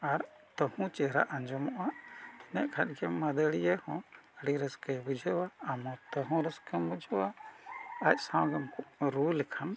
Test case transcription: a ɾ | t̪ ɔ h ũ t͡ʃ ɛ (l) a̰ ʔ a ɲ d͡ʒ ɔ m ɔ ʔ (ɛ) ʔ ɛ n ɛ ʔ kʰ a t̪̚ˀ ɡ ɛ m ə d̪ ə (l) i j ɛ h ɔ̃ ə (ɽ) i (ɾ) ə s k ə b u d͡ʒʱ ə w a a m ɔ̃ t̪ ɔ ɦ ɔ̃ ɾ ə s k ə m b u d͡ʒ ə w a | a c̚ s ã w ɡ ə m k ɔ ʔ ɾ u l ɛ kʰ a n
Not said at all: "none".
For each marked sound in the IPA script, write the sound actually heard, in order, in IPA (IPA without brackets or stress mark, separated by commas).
ɾ, a, ɽ, ɽ, ɾ